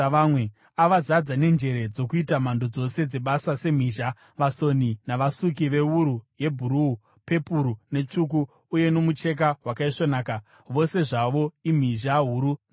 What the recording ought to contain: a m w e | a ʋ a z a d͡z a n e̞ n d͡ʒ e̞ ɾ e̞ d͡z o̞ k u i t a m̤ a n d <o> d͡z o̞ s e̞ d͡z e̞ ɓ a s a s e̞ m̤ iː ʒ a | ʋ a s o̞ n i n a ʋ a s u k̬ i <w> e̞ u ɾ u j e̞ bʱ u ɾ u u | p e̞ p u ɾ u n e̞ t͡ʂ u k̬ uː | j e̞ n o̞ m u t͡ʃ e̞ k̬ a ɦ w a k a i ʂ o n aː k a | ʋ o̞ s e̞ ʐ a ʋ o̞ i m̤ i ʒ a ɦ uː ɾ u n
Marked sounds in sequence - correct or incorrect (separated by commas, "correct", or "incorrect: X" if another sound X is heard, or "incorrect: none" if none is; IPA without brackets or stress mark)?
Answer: correct, incorrect: ʋ